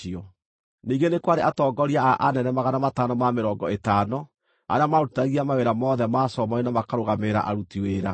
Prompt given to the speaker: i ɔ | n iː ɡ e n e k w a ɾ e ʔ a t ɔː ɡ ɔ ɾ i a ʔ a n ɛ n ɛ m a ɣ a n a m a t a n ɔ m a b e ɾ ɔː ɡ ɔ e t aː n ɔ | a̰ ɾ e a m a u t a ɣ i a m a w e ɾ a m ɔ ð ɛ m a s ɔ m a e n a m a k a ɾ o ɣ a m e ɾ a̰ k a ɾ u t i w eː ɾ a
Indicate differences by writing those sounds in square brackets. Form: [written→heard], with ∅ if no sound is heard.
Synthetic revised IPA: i ɔ | n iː ɡ e n e k w a ɾ e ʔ a t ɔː ɡ ɔ ɾ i a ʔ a n ɛ n ɛ m a ɣ a n a m a t a n ɔ m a [b→m] e ɾ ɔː ɡ ɔ e t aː n ɔ | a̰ ɾ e a m a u t a ɣ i a m a w e ɾ a m ɔ ð ɛ m a s ɔ m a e n a m a k a ɾ o ɣ a m e ɾ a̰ [k→ʔ] a ɾ u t i w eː ɾ a